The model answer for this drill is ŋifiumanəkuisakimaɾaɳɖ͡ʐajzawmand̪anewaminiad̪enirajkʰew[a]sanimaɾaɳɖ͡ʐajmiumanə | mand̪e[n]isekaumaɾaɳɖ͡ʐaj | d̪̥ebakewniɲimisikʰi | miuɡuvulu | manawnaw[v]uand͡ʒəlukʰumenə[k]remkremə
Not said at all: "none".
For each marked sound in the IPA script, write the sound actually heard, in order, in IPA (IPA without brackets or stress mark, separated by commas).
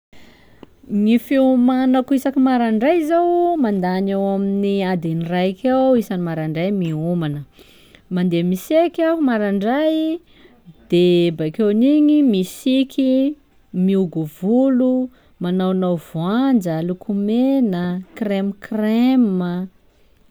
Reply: i, m, v, k